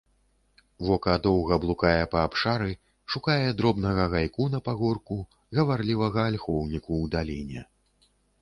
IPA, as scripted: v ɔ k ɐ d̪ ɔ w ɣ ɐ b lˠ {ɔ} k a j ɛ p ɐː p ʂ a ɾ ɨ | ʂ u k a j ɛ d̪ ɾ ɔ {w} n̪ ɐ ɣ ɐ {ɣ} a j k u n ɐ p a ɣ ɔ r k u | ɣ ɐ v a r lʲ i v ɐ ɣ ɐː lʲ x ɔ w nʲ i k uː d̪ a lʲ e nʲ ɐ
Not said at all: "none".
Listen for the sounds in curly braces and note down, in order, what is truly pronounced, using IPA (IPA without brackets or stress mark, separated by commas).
u, b, ɣ